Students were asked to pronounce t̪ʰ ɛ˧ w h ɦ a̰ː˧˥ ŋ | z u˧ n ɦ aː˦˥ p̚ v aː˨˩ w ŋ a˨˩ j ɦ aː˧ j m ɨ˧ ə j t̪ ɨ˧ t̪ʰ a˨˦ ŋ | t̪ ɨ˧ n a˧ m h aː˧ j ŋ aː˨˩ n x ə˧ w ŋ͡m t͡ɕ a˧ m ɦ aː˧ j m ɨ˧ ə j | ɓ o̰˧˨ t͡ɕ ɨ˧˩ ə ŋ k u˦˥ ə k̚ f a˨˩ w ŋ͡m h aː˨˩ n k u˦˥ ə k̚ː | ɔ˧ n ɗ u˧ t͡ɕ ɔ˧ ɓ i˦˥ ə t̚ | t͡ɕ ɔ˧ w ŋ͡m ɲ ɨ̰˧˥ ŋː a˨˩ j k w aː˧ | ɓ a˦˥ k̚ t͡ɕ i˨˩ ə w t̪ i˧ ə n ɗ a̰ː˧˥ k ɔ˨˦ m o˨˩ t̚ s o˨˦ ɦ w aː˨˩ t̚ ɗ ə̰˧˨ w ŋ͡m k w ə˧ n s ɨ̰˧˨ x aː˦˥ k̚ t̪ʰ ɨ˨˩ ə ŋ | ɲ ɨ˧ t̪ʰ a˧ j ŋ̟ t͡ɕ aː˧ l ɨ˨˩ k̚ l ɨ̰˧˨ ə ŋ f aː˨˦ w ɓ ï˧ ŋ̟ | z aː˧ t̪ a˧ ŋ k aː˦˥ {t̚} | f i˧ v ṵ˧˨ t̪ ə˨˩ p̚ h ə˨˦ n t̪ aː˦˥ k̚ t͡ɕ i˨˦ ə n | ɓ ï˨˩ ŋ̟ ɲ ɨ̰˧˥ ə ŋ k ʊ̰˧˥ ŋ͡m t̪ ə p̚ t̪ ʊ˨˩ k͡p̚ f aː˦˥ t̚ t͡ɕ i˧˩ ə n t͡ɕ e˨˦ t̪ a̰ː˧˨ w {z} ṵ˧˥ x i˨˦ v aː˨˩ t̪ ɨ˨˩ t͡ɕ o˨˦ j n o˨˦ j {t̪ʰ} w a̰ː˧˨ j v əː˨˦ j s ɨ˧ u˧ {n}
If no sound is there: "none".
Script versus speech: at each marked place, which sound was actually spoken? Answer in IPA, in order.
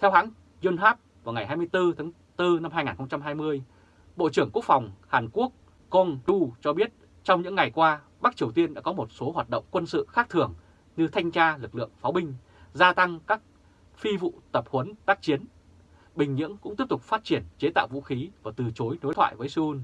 k̚, v, t̪ʰ, n

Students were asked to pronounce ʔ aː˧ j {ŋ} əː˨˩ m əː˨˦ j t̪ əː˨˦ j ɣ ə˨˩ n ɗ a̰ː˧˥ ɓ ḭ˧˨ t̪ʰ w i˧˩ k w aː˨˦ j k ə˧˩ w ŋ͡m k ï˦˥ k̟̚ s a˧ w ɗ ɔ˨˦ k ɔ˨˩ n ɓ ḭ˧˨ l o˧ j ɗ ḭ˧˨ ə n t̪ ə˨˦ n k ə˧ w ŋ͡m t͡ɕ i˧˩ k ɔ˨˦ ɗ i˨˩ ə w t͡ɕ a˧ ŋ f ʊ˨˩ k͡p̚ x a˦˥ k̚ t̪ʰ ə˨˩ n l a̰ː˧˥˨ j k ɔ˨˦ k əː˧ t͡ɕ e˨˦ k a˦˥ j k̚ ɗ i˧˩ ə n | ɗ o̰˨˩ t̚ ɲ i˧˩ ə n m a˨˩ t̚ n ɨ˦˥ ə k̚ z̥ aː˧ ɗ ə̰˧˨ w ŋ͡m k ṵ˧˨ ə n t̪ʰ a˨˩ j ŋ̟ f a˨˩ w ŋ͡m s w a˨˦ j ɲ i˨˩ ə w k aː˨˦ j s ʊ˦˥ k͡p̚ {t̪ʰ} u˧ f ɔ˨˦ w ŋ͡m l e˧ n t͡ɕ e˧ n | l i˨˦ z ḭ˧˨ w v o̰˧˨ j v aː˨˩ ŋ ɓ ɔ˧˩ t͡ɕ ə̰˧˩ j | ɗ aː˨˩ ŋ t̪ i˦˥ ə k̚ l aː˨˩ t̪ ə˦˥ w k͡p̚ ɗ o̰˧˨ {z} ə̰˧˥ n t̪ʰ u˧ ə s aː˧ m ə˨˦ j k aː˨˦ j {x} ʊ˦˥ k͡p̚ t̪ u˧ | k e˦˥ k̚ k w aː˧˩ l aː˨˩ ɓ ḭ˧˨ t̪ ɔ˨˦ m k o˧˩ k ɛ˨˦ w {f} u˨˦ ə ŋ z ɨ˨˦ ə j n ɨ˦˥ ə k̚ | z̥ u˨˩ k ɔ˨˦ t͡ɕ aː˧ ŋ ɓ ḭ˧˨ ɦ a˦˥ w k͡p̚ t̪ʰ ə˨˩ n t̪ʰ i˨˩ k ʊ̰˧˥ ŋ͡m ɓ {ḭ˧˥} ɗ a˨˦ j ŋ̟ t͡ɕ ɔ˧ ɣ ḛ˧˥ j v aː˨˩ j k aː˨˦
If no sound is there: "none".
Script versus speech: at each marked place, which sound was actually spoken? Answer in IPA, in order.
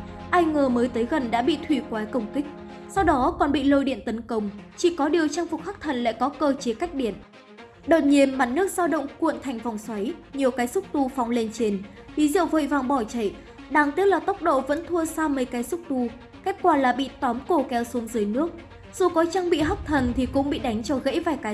ŋ, t̪, v, s, s, ḭ˧˨

